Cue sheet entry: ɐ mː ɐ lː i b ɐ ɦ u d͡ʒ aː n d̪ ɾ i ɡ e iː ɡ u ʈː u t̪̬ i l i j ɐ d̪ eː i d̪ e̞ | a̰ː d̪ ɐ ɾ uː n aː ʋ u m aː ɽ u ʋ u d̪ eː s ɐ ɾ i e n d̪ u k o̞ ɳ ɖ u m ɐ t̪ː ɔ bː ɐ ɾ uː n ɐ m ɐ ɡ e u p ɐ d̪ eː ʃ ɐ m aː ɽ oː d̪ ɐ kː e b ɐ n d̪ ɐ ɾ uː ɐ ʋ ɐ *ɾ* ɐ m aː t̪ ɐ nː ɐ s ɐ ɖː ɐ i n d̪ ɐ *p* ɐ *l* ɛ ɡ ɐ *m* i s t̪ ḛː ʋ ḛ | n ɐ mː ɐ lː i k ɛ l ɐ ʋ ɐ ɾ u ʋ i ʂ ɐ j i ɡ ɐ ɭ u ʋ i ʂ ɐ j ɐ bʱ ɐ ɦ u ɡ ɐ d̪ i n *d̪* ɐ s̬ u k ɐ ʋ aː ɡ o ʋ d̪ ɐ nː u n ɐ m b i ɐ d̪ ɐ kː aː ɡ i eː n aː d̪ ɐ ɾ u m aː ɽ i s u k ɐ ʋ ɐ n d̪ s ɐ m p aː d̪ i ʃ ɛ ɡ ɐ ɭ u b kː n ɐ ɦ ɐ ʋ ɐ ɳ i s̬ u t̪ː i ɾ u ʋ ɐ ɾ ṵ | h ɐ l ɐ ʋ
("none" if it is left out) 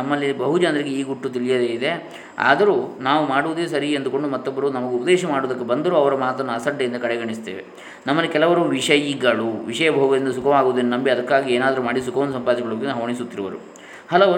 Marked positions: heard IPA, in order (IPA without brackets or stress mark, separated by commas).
ɾ, k, ɽ, ɳ, d̪